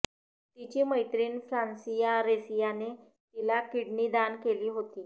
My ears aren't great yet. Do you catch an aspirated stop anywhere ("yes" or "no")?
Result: no